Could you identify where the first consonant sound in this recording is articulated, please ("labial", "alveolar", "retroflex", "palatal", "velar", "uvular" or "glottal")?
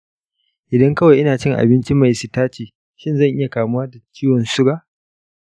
glottal